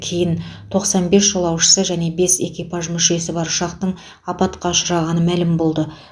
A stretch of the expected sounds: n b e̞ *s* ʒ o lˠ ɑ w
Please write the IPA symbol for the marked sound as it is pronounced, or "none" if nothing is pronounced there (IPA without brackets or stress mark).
s